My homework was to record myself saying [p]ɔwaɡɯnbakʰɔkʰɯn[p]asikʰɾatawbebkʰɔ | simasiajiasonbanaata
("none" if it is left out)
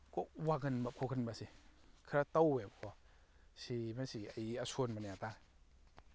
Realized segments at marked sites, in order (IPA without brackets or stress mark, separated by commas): k, b